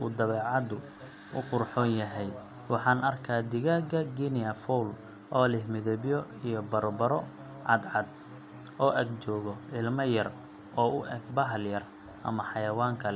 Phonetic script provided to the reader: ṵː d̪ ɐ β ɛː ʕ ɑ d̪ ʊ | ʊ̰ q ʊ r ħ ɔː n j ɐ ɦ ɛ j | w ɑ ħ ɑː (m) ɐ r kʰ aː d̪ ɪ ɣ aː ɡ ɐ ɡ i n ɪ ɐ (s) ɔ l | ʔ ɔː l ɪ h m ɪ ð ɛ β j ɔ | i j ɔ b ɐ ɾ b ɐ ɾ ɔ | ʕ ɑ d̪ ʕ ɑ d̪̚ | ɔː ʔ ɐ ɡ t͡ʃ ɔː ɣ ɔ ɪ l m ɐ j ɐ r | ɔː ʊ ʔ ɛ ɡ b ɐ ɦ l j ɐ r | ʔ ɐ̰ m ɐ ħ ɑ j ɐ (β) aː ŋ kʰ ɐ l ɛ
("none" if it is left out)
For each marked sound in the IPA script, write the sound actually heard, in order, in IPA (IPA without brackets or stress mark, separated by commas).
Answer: n, f, w